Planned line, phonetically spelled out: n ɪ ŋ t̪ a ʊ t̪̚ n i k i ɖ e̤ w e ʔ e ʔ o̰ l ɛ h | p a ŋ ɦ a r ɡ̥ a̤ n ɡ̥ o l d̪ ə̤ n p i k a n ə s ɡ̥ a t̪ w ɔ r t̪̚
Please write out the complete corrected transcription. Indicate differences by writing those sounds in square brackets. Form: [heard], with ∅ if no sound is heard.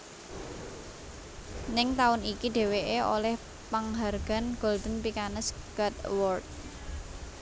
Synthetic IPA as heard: n ɪ ŋ t̪ a ʊ [∅] n i k i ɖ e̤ w e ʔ e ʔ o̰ l ɛ h | p a ŋ ɦ a r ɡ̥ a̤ n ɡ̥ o l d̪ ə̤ n p i k a n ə s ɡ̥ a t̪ w ɔ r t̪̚